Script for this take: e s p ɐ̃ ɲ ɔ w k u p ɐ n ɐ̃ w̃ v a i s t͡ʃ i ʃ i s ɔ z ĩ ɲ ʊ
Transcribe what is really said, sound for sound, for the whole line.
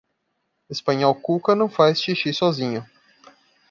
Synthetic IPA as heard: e s p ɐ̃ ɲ ɔ w k u k ɐ n ɐ̃ w̃ f a j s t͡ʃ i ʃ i s ɔ z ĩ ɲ ʊ

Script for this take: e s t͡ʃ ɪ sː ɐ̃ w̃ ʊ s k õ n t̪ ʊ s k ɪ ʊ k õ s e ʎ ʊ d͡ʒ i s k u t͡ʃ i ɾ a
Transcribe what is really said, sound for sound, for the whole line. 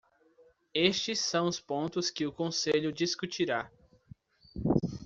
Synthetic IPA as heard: e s t͡ʃ ɪ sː ɐ̃ w̃ ʊ s p õ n t̪ ʊ s k ɪ ʊ k õ s e ʎ ʊ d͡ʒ i s k u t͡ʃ i ɾ a

